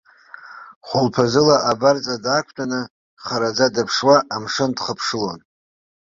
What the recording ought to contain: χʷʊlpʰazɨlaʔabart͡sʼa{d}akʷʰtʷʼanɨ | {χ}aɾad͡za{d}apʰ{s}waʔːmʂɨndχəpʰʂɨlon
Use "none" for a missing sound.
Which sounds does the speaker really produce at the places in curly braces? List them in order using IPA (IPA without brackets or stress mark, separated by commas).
d, χ, d, ʂ